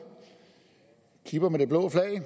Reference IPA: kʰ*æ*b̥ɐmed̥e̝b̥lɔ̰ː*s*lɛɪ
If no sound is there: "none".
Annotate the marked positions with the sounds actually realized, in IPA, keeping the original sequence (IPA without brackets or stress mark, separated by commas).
i, f